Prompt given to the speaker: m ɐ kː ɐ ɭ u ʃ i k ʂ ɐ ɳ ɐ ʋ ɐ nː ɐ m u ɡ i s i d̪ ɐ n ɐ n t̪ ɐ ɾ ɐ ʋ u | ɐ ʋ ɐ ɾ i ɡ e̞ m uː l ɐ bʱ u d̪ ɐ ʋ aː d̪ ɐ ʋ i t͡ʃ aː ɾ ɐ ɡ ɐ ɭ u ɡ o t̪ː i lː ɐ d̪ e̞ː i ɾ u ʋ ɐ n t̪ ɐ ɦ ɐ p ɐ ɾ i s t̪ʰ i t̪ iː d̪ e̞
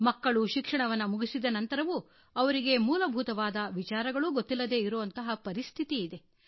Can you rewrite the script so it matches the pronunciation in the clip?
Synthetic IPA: m ɐ kː ɐ ɭ u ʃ i k ʂ ɐ ɳ ɐ ʋ ɐ nː ɐ m u ɡ i s i d̪ ɐ n ɐ n t̪ ɐ ɾ ɐ ʋ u | ɐ ʋ ɐ ɾ i ɡ e̞ m uː l ɐ bʱ u t̪ ɐ ʋ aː d̪ ɐ ʋ i t͡ʃ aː ɾ ɐ ɡ ɐ ɭ u ɡ o t̪ː i lː ɐ d̪ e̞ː i ɾ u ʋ ɐ n t̪ ɐ ɦ ɐ p ɐ ɾ i s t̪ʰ i t̪ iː d̪ e̞